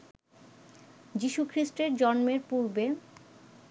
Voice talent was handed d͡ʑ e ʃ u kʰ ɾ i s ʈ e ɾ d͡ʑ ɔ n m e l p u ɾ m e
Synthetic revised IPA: d͡ʑ i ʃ u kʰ ɾ i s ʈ e ɾ d͡ʑ ɔ n m e ɾ p u ɾ b e